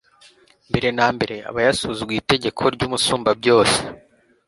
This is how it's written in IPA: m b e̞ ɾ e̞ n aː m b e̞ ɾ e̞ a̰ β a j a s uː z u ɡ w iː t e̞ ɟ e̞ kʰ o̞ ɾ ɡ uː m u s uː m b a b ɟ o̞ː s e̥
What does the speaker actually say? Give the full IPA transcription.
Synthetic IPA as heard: m b e̞ ɾ e̞ n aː m b e̞ ɾ e̞ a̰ β a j a s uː z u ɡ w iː t e̞ ɟ e̞ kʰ o̞ ɾ ɟ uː m u s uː m b a b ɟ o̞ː s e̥